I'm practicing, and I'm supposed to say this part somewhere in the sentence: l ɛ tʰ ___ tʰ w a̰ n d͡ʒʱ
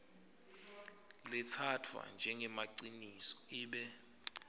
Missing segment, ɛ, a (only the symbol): a